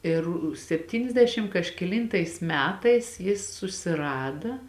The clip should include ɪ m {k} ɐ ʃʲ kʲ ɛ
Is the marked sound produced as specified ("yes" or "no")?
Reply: yes